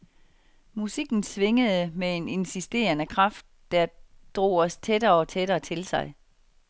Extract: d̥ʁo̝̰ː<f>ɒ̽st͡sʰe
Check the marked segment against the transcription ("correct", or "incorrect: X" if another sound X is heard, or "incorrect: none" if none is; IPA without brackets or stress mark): incorrect: none